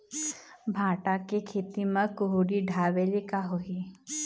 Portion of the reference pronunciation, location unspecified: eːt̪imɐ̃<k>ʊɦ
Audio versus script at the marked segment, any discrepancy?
no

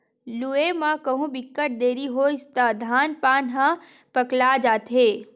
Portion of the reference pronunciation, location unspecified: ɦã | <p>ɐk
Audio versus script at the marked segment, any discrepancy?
no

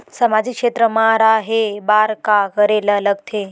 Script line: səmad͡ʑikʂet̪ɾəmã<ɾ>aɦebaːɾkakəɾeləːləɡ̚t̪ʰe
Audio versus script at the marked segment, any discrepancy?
no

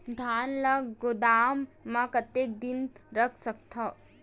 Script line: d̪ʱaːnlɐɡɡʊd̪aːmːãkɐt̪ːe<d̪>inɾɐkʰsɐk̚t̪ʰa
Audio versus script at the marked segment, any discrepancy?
no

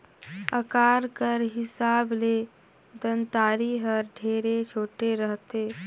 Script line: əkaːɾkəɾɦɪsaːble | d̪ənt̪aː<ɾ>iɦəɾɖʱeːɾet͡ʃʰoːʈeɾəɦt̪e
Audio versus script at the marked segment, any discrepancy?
no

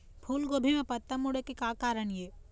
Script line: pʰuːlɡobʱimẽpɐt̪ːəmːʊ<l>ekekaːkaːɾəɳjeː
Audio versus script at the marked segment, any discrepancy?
yes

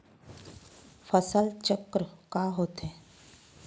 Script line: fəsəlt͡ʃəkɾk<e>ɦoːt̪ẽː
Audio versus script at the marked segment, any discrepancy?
yes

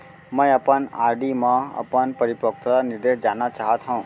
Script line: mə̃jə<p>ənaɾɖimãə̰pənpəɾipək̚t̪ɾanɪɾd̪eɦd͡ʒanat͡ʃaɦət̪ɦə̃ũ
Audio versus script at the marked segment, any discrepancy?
no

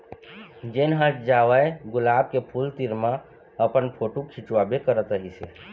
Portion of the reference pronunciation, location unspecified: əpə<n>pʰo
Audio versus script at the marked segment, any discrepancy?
no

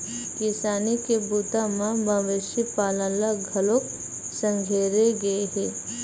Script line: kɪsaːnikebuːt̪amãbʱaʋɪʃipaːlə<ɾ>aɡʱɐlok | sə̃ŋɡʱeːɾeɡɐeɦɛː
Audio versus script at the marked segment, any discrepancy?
yes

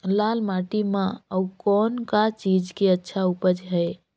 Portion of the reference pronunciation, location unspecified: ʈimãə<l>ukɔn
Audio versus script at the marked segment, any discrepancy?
yes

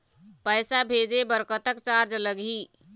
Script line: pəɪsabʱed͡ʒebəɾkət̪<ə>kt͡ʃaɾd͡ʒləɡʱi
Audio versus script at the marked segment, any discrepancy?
no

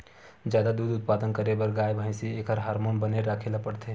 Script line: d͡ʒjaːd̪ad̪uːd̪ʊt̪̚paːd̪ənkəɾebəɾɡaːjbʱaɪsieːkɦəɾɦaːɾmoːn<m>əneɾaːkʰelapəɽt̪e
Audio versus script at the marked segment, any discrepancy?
yes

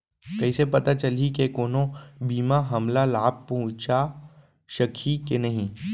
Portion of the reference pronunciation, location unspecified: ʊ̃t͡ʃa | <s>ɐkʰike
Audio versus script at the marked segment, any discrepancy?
yes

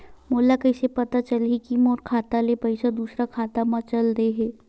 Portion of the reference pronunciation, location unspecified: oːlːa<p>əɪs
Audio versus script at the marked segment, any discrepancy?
yes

